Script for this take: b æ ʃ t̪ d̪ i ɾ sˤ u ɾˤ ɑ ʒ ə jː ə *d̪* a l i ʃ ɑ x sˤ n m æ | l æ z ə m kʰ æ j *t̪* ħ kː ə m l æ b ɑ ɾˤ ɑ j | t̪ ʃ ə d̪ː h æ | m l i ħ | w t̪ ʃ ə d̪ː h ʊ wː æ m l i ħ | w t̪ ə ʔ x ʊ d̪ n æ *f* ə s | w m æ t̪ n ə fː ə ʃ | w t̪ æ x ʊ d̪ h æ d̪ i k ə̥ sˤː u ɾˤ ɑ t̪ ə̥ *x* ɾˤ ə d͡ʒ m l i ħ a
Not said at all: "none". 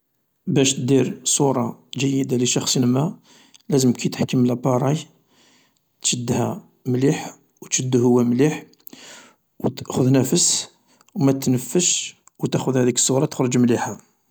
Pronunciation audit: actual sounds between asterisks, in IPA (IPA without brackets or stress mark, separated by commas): d̪, t̪, f, x